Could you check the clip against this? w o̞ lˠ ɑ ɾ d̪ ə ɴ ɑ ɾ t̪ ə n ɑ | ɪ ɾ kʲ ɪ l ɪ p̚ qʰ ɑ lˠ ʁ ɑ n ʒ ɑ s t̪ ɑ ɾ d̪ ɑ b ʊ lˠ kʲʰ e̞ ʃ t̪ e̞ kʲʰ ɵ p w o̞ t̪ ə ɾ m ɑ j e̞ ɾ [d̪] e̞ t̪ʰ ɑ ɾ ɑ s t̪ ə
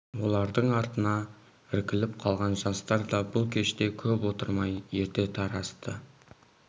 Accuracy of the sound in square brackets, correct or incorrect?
incorrect